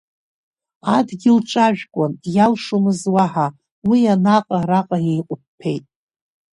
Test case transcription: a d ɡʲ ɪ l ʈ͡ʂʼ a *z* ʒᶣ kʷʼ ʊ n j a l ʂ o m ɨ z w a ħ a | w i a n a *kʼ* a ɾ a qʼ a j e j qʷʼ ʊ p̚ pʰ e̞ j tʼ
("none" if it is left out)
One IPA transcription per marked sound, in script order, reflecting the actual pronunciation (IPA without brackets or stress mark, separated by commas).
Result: none, qʼ